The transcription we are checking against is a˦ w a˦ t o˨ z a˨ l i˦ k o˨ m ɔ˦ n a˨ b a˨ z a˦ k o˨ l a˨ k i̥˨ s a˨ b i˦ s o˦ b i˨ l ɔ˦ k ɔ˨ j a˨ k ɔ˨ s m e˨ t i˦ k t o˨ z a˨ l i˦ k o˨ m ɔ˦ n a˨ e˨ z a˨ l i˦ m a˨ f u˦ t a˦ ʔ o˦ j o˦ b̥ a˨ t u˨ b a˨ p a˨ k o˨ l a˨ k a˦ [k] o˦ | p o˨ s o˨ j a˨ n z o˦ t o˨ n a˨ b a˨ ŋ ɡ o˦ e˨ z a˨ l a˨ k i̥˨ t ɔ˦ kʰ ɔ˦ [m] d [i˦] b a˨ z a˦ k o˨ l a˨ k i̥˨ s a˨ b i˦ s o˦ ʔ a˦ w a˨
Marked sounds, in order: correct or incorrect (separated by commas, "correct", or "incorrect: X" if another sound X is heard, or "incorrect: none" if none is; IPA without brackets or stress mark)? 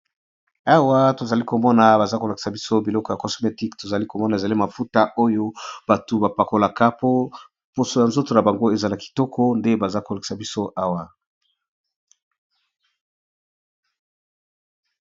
incorrect: p, incorrect: n, incorrect: e˦